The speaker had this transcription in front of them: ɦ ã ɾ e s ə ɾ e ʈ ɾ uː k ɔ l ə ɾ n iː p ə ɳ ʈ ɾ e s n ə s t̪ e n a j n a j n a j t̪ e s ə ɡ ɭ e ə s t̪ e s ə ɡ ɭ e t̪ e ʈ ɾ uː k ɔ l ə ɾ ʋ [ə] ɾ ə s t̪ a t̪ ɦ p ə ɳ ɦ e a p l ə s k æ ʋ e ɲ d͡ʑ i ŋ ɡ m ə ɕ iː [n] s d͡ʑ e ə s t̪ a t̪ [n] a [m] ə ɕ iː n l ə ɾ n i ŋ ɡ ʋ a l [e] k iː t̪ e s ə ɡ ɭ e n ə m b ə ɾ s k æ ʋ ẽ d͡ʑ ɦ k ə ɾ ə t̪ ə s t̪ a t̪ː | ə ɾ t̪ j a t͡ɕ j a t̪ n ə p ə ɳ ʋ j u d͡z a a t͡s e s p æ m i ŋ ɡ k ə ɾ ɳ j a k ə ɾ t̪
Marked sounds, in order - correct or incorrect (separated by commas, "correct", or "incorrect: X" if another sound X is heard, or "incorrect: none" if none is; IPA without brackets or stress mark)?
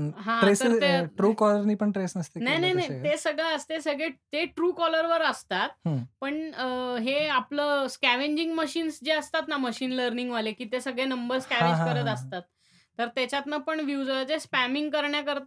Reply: correct, correct, correct, correct, correct